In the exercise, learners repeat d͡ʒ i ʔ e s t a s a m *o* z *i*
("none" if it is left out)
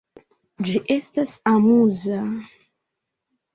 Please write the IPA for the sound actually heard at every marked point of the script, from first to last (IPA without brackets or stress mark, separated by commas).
u, a